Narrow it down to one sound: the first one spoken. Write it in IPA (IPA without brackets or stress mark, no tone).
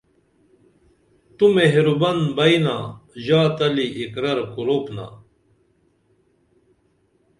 t̪